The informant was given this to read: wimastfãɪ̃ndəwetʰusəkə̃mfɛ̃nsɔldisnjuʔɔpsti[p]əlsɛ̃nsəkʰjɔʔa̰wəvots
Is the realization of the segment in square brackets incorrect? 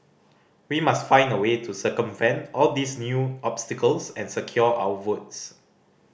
yes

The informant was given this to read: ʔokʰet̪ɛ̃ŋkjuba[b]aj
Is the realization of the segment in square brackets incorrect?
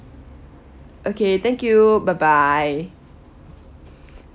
no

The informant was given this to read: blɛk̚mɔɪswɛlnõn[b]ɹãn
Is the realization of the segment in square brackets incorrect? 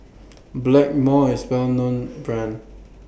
no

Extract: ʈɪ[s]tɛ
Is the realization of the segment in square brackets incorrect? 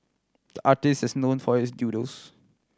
no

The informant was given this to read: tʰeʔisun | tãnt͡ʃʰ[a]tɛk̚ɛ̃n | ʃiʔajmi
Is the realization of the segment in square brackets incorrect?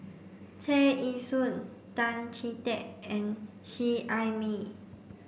yes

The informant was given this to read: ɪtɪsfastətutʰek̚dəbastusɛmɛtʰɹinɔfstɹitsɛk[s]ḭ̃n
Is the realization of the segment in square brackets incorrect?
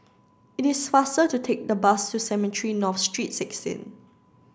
no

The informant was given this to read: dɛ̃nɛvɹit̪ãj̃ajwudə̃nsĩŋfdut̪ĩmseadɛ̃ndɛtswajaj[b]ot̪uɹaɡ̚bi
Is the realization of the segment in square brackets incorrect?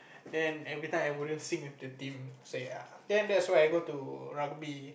yes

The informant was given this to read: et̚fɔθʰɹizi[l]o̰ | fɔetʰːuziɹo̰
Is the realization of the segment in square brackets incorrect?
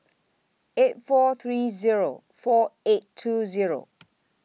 yes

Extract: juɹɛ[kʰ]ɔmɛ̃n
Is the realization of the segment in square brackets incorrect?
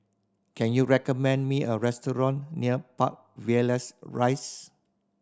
yes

